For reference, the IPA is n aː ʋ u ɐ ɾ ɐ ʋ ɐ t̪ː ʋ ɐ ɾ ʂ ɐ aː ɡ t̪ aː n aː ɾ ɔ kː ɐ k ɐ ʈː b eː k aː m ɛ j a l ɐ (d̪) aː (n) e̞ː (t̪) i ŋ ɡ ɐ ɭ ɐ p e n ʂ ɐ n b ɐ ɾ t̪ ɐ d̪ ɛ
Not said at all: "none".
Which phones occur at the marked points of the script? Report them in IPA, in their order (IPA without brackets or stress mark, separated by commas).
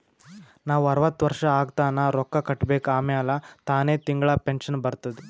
t̪, n, t̪